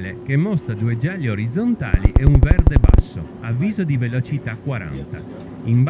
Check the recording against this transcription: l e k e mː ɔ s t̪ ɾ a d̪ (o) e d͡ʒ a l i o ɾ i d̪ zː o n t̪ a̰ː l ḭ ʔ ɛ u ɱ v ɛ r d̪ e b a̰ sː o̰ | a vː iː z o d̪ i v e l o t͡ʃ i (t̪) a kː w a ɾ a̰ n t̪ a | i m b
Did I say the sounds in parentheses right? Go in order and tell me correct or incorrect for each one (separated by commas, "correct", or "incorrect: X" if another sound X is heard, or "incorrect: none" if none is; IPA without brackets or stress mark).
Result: incorrect: u, correct